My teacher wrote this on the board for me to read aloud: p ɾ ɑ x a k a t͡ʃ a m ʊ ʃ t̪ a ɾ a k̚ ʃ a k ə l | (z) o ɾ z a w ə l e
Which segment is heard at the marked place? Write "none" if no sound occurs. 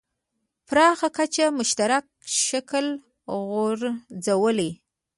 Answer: ɣ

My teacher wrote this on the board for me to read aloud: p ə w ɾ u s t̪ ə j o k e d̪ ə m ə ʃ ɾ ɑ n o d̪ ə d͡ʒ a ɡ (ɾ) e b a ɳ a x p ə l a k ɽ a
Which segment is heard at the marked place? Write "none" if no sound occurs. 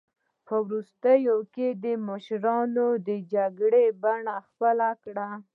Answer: ɽ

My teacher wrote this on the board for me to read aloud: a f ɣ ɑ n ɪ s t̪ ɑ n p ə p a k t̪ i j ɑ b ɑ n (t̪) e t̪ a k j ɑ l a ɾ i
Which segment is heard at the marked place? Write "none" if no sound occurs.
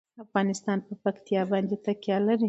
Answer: d̪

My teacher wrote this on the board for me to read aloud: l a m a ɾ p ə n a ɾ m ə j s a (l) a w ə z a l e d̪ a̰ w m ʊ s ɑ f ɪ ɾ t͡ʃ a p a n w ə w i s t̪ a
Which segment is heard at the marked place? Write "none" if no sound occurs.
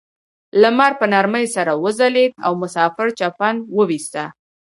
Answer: ɾ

